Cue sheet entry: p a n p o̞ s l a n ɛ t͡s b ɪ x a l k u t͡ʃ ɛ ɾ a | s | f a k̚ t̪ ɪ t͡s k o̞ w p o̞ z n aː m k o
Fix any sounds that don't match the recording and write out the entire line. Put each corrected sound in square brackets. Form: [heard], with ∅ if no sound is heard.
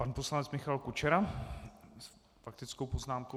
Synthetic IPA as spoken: p a n p o̞ s l a n ɛ t͡s [m] ɪ x a l k u t͡ʃ ɛ ɾ a | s | f a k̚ t̪ ɪ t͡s k o̞ w p o̞ z n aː m k o